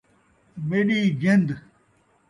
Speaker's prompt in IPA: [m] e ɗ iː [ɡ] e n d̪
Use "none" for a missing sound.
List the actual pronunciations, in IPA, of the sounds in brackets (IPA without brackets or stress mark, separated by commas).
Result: m, ɡ